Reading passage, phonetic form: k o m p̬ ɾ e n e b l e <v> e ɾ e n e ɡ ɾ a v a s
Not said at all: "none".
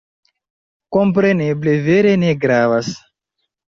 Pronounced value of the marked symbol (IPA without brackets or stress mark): v